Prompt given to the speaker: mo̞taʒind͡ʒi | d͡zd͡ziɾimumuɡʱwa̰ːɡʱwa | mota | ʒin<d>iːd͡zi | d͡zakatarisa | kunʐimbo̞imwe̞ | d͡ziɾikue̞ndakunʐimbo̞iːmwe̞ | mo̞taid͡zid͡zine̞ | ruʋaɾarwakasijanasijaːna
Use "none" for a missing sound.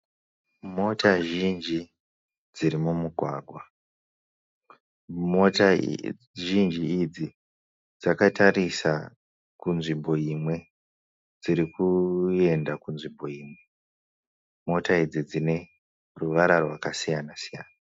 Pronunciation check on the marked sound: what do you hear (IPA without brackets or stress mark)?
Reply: d͡ʒ